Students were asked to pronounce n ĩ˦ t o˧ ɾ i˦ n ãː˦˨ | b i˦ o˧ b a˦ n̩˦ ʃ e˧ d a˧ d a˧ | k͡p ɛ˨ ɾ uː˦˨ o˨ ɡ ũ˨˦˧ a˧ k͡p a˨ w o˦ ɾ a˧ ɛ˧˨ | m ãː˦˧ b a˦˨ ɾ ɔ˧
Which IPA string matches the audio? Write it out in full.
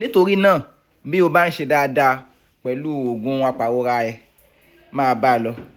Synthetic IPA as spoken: n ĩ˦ t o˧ ɾ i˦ n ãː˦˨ | b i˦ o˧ b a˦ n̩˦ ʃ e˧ d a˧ d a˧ | k͡p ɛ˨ l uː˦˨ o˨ ɡ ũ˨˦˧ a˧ k͡p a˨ w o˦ ɾ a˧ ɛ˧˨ | m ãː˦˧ b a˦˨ l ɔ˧